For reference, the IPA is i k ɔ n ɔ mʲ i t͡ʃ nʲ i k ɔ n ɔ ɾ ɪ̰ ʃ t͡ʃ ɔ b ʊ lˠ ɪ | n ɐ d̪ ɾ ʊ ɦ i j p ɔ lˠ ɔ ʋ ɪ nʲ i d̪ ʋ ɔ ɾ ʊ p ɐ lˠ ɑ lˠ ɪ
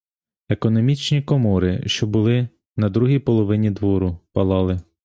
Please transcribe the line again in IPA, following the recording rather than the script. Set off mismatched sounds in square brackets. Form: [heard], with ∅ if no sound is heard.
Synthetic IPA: [e] k ɔ n ɔ mʲ i t͡ʃ nʲ i k ɔ [m] ɔ ɾ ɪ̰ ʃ t͡ʃ ɔ b ʊ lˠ ɪ | n ɐ d̪ ɾ [u] ɦ i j p ɔ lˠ ɔ ʋ ɪ nʲ i d̪ ʋ ɔ ɾ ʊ p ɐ lˠ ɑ lˠ ɪ

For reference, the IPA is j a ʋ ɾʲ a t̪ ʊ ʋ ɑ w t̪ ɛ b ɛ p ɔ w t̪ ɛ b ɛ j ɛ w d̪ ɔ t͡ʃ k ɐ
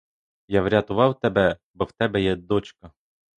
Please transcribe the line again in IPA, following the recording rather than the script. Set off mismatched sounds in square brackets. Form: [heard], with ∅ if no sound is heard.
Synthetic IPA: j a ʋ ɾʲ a t̪ ʊ ʋ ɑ w t̪ ɛ b ɛ [b] ɔ w t̪ ɛ b ɛ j ɛ [∅] d̪ ɔ t͡ʃ k ɐ

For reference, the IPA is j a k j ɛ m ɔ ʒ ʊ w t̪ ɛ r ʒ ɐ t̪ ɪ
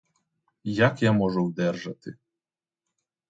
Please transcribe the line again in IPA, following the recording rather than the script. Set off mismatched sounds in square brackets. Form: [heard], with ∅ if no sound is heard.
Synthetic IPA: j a k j [a] m ɔ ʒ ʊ w [d̪] ɛ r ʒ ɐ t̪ ɪ

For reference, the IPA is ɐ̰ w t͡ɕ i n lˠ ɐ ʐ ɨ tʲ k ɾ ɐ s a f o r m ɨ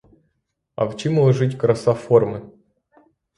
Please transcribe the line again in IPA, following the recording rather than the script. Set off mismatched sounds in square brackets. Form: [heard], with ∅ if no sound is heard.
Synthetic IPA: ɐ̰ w t͡ɕ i [m] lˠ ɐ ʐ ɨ tʲ k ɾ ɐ s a f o r m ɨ

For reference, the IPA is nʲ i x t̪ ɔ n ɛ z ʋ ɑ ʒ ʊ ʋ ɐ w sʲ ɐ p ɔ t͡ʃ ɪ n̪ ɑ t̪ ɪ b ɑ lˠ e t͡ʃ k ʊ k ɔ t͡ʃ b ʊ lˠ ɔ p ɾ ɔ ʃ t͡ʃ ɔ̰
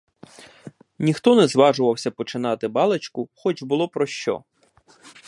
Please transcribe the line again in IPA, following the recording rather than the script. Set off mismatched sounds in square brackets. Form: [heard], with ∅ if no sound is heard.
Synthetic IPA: nʲ i x t̪ ɔ n ɛ z ʋ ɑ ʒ ʊ ʋ ɐ w sʲ ɐ p ɔ t͡ʃ ɪ n̪ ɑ t̪ ɪ b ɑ lˠ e t͡ʃ k ʊ [x] ɔ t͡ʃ b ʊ lˠ ɔ p ɾ ɔ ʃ t͡ʃ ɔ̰

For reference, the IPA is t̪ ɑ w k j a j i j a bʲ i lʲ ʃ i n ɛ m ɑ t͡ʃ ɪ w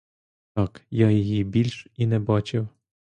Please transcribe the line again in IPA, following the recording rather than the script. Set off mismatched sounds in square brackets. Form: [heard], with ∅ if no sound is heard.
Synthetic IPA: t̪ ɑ [∅] k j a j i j [i] bʲ i lʲ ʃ i n ɛ [b] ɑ t͡ʃ ɪ w

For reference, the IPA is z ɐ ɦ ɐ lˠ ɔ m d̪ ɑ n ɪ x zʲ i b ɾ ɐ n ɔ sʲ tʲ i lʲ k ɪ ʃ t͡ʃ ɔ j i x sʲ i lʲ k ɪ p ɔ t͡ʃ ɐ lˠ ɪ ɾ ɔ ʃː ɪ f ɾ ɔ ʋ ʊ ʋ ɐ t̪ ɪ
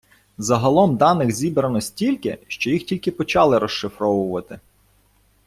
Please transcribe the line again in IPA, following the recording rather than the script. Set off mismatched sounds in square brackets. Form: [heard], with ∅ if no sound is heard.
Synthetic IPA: z ɐ ɦ ɐ lˠ ɔ m d̪ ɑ n ɪ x zʲ i b ɾ ɐ n ɔ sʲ tʲ i lʲ k ɪ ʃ t͡ʃ ɔ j i x [tʲ] i lʲ k ɪ p ɔ t͡ʃ [ɑ] lˠ ɪ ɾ ɔ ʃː ɪ f ɾ ɔ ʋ ʊ ʋ ɐ t̪ ɪ

